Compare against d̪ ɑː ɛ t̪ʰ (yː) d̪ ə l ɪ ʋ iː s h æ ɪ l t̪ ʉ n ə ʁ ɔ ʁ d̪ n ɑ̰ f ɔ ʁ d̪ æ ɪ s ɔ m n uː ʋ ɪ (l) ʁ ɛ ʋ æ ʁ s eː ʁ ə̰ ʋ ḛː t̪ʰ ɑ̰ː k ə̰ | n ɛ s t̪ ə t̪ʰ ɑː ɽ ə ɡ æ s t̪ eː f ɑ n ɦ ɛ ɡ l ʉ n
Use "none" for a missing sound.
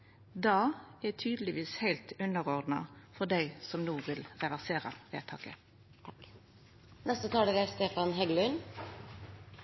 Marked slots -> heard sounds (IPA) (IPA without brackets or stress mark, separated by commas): yː, l